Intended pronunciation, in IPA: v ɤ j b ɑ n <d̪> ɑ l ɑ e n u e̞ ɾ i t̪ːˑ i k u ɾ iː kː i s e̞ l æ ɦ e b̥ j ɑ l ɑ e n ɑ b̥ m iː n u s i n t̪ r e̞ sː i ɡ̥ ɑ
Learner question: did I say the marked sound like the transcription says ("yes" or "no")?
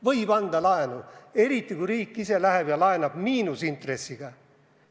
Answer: yes